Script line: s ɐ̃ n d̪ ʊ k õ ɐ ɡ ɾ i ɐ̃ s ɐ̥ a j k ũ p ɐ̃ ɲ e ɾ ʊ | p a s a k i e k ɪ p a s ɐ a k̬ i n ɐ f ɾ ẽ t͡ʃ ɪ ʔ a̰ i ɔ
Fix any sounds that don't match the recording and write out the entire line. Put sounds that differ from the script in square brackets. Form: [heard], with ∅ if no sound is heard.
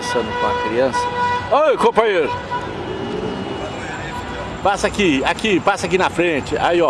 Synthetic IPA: s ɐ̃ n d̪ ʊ k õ ɐ [k] ɾ i ɐ̃ s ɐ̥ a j k [õ] p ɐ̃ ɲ e ɾ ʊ | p a s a k i [a] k [i] p a s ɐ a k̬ i n ɐ f ɾ ẽ t͡ʃ ɪ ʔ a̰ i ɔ